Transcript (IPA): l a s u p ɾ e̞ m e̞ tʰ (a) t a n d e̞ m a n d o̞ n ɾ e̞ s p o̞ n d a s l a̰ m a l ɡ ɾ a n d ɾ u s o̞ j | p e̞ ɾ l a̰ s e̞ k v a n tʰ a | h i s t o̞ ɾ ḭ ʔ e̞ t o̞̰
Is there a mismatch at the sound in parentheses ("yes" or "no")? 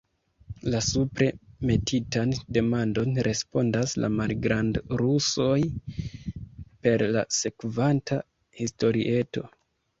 yes